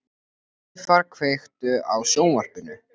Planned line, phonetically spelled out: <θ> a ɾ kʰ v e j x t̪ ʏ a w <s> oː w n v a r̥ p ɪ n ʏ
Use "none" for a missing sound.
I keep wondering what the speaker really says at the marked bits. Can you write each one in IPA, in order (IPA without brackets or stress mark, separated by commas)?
f, s